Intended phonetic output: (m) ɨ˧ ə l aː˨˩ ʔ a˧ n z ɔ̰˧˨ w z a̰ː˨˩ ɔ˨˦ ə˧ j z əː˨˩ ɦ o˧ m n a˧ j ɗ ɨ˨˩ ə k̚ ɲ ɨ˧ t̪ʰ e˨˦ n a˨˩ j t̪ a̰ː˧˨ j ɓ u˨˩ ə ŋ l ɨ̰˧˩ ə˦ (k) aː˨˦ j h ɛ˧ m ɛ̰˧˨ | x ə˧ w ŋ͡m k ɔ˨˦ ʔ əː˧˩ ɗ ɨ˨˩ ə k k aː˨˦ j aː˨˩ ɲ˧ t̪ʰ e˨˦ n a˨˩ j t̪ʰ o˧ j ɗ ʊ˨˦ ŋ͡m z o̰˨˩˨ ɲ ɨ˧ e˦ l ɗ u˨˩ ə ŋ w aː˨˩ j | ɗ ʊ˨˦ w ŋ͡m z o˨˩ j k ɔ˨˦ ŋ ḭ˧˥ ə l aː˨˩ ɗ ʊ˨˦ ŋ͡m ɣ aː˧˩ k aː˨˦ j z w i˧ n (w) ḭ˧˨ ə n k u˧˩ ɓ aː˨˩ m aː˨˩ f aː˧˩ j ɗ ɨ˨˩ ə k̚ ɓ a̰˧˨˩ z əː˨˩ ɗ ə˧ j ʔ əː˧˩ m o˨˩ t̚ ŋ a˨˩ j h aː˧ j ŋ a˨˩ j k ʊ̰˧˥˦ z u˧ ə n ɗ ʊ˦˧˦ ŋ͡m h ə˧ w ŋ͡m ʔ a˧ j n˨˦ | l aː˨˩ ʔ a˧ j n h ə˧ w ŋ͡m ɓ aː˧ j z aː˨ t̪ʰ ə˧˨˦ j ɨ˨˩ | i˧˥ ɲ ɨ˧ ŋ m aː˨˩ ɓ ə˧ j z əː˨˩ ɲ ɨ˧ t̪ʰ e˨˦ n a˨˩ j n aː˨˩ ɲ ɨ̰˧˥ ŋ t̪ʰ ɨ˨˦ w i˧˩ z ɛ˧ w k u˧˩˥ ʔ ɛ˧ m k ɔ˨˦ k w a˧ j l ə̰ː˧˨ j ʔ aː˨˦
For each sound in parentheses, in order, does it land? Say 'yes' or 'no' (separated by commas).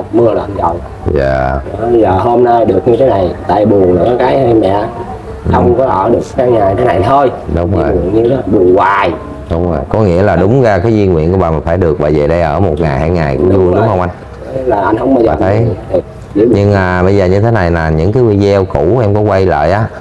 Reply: yes, yes, yes